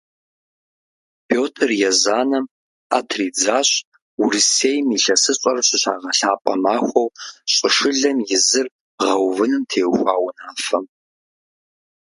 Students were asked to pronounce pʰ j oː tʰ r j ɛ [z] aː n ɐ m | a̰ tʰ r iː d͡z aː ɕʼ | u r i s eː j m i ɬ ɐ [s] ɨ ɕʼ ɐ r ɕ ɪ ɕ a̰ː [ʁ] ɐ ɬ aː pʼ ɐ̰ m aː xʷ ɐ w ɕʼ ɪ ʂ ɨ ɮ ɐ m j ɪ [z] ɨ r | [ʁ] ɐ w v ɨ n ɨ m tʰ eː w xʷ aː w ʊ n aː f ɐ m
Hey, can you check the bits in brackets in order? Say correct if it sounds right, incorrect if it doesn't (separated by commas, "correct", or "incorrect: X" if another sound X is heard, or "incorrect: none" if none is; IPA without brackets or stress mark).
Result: correct, correct, correct, correct, correct